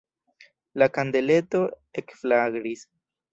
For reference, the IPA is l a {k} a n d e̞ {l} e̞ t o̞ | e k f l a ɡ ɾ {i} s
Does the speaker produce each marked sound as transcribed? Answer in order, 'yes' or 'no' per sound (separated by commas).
yes, yes, yes